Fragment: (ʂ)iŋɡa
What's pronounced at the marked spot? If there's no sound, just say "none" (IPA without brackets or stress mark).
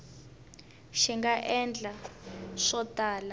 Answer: ʃ